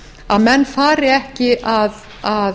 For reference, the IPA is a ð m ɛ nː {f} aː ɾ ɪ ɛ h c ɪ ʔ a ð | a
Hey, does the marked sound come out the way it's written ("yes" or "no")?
yes